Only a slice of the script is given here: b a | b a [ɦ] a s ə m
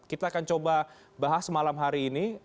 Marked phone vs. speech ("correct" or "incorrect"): correct